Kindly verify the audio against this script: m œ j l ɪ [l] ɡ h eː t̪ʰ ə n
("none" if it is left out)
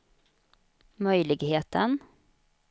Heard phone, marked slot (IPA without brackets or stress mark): none